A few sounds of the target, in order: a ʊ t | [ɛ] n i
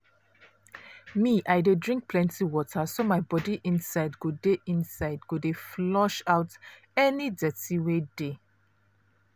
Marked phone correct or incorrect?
correct